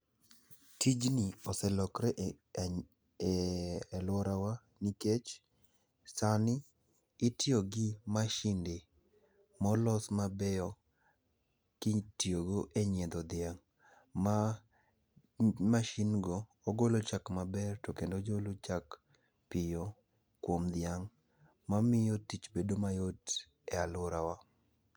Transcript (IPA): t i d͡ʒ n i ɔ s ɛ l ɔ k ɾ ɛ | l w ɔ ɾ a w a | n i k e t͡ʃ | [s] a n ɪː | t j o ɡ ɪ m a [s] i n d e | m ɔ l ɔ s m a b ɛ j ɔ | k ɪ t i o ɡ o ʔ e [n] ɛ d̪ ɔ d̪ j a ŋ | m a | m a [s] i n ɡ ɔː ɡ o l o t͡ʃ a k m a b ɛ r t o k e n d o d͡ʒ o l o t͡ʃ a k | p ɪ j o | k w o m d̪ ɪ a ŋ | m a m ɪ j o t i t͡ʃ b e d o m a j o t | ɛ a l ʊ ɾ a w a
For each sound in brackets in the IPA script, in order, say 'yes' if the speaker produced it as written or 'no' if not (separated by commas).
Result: yes, no, no, no